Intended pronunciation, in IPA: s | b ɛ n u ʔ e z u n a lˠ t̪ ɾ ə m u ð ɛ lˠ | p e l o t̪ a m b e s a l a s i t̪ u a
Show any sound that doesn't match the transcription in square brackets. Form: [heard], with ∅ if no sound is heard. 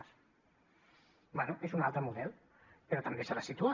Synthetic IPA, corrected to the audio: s | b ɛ n u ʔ e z u n a lˠ t̪ ɾ ə m u ð ɛ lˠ | p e [ɾ] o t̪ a m b e s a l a s i t̪ u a